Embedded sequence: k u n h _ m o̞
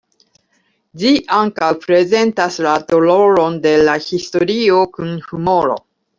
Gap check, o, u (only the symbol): u